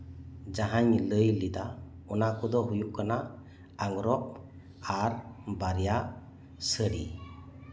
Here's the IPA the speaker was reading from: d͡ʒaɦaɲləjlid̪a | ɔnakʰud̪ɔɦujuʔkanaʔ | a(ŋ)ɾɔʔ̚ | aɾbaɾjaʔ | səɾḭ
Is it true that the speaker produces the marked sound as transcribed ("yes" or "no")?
yes